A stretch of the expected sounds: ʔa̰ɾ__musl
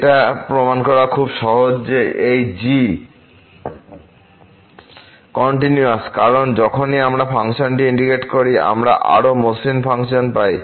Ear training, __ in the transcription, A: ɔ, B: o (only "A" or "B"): B